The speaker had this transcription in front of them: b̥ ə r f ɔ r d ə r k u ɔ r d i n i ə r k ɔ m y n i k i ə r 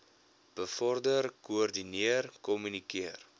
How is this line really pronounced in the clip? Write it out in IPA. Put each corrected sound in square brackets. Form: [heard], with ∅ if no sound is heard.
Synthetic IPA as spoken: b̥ ə [∅] f ɔ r d ə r k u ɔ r d i n i ə r k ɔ m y n i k i ə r